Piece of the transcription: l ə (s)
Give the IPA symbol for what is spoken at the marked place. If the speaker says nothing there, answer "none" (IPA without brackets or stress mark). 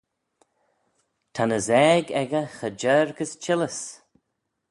s